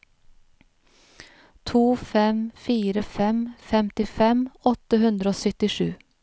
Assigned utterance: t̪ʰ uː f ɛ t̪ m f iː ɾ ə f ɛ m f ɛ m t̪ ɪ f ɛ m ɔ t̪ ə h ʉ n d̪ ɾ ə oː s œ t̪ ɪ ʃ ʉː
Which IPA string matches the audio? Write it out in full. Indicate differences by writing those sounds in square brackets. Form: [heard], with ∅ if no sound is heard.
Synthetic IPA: t̪ʰ uː f ɛ [∅] m f iː ɾ ə f ɛ m f ɛ m t̪ ɪ f ɛ m ɔ t̪ ə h ʉ n d̪ ɾ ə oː s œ t̪ ɪ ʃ ʉː